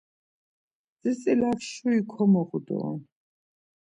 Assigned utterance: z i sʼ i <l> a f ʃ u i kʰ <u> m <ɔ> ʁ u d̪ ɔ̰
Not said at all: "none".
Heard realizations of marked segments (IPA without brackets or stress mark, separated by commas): l, ɔ, ɔ